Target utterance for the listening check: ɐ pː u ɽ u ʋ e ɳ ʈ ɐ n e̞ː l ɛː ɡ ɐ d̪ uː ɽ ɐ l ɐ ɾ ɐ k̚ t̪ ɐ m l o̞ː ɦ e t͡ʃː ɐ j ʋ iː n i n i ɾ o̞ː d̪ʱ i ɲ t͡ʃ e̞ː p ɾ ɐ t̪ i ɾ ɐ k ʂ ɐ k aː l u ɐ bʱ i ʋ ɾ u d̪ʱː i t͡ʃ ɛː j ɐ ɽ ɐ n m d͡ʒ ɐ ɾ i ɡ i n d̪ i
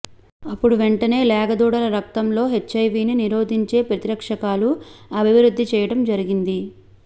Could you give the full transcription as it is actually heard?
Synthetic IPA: ɐ pː u ɽ u ʋ e ɳ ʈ ɐ n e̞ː l ɛː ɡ ɐ d̪ uː ɽ ɐ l ɐ ɾ ɐ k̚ t̪ ɐ m l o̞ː ɦ e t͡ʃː ɐ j ʋ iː n i n i ɾ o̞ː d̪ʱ i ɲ t͡ʃ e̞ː p ɾ ɐ t̪ i ɾ ɐ k ʂ ɐ k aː l u ɐ bʱ i ʋ ɾ u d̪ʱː i t͡ʃ ɛː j ɐ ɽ ɐ m d͡ʒ ɐ ɾ i ɡ i n d̪ i